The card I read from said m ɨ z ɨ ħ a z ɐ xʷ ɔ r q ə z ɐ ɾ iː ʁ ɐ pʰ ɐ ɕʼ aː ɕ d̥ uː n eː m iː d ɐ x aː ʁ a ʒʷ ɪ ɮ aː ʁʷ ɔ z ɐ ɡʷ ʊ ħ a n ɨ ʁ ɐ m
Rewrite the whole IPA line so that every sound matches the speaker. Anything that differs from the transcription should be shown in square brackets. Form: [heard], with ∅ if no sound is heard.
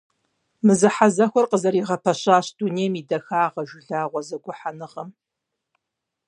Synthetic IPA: m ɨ z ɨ ħ a z ɐ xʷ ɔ r q ə z ɐ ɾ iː ʁ ɐ pʰ ɐ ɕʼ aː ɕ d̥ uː n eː m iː d ɐ x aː ʁ [ɐ] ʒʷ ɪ ɮ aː ʁʷ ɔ z ɐ ɡʷ ʊ ħ a n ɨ ʁ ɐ m